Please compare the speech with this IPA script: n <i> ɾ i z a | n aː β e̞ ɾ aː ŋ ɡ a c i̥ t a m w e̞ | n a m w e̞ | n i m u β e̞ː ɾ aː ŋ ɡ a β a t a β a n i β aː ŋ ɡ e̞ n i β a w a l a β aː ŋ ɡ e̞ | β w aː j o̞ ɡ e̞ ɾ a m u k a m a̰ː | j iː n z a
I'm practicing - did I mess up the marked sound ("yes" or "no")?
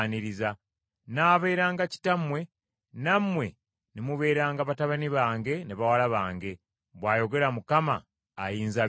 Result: no